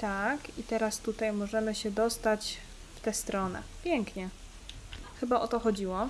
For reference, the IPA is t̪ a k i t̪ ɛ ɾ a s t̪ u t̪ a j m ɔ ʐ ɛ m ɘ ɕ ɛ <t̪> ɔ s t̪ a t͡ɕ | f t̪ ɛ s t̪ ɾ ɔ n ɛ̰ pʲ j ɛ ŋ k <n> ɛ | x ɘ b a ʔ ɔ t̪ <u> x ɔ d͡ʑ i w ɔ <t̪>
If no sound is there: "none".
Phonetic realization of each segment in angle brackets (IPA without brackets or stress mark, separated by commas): d̪, ɲ, ɔ, none